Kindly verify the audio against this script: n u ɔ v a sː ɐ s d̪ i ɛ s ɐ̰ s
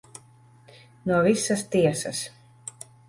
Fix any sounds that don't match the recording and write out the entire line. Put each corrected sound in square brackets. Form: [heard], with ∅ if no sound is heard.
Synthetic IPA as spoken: n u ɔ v [i] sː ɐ s [t̪] i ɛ s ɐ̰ s